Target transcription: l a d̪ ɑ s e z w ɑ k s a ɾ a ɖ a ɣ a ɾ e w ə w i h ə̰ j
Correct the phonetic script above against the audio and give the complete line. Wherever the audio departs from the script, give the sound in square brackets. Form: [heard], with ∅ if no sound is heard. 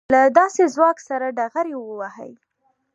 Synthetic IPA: l a d̪ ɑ s e z w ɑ k s a ɾ a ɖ a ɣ a ɾ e w ə w [a] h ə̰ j

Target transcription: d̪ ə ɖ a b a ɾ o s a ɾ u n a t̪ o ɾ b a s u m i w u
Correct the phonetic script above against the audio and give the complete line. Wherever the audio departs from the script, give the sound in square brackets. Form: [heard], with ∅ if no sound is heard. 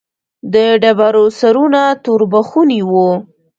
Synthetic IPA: d̪ ə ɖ a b a ɾ o s a ɾ u n a t̪ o ɾ b a [x] u [n] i w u

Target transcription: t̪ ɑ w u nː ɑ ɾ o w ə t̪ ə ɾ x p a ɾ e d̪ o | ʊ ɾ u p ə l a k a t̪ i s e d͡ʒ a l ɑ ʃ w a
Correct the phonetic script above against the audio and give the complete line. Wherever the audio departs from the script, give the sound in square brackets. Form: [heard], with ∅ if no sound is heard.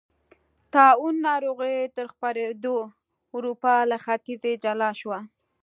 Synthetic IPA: t̪ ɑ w u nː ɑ ɾ o [ɣ] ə t̪ ə ɾ x p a ɾ e d̪ o | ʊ ɾ u p [ɑ] l a [x] a t̪ i [z] e d͡ʒ a l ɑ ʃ w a

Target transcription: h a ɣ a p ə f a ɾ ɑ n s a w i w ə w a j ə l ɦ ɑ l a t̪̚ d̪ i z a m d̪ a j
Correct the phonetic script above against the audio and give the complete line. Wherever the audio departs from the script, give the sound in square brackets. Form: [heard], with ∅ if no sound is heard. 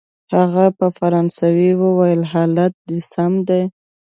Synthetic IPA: h a ɣ a p ə f a ɾ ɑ n s a w i w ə w a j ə l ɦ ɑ l a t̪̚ d̪ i [s] a m d̪ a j

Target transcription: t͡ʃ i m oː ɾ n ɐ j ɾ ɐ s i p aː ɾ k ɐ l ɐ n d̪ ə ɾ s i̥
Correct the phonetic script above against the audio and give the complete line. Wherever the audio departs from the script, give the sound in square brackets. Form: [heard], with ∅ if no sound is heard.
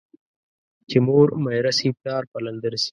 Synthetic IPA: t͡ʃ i m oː ɾ [m] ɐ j ɾ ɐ s i p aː ɾ [p] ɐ l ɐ n d̪ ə ɾ s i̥

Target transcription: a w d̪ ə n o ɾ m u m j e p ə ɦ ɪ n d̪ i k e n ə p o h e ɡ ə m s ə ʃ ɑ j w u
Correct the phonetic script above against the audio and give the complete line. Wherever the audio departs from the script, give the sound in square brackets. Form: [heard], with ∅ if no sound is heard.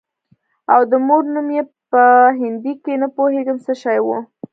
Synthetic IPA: a w d̪ ə [m] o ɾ [n] u m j e p ə ɦ ɪ n d̪ i k e n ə p o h e ɡ ə m s ə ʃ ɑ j w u

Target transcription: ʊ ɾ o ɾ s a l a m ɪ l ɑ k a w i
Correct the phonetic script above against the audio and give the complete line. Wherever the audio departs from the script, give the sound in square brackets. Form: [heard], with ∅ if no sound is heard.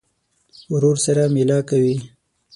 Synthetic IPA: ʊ ɾ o ɾ s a [ɾ] a m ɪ l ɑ k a w i

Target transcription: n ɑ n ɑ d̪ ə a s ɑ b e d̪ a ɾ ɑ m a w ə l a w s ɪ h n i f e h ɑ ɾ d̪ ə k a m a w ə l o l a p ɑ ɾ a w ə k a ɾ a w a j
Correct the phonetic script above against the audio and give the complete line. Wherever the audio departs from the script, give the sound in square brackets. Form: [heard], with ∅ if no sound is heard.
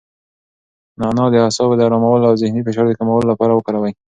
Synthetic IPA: n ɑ n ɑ d̪ ə a s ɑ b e d̪ a ɾ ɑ m a w ə l a w [z] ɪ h n i f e [ʃ] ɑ ɾ d̪ ə k a m a w ə l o l a p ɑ ɾ a w ə k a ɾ a w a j

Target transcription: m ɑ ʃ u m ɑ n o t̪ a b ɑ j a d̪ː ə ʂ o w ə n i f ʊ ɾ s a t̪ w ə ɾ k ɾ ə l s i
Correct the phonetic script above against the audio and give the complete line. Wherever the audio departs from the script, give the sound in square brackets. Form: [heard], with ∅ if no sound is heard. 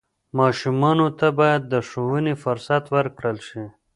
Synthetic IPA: m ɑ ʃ u m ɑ n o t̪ a b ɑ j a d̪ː ə ʂ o w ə n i f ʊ ɾ s a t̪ w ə ɾ k [ɽ] ə l [ʃ] i

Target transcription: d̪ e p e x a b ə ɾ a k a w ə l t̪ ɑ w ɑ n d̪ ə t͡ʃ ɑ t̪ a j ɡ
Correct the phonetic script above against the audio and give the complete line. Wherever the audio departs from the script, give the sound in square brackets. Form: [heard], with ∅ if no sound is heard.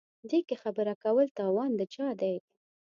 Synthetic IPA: d̪ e [k] e x a b ə ɾ a k a w ə l t̪ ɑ w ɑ n d̪ ə t͡ʃ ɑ [d̪] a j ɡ

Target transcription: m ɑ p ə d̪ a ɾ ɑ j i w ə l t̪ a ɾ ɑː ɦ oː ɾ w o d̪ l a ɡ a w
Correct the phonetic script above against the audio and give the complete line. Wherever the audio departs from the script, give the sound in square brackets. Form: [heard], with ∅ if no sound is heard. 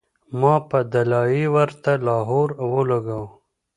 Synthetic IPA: m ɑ p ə d̪ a [l] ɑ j i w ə [ɾ] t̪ a [l] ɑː ɦ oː ɾ w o [∅] l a ɡ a w

